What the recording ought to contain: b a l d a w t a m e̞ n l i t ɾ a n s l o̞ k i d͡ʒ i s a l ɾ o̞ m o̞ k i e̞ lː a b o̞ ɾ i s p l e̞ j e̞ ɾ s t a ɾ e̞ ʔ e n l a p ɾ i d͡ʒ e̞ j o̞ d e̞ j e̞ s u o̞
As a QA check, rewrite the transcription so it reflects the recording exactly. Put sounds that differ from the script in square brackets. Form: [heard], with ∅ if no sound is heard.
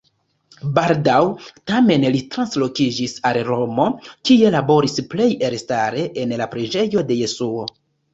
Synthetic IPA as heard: b a l d a w t a m e̞ n l i t ɾ a n s l o̞ k i d͡ʒ i s a l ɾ o̞ m o̞ k i e̞ [l] a b o̞ ɾ i s p l e̞ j e̞ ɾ s t a ɾ e̞ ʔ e n l a p ɾ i d͡ʒ e̞ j o̞ d e̞ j e̞ s u o̞